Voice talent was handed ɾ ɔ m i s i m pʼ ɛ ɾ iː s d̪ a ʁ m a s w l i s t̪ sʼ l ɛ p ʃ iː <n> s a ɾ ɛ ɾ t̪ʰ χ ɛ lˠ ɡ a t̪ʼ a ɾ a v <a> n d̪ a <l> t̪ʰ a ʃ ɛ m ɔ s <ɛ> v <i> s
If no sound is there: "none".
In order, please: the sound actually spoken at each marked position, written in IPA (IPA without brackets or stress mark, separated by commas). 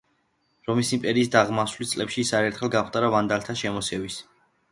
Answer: none, a, l, ɛ, i